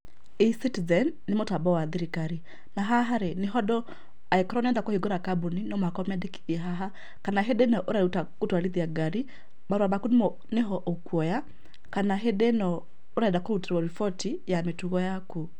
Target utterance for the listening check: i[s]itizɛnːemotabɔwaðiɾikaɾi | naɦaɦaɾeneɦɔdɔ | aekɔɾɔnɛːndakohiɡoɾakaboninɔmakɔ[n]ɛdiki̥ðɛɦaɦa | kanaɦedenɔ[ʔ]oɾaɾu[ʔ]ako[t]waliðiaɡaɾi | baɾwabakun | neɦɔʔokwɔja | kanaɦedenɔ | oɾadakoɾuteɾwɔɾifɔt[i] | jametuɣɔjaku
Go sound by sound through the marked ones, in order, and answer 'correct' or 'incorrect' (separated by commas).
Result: correct, incorrect, correct, incorrect, correct, correct